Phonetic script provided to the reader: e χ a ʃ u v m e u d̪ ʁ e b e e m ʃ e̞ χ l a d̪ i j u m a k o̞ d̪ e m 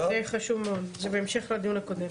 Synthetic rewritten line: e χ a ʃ u v m e o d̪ z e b e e m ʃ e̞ χ l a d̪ i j u n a k o̞ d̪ e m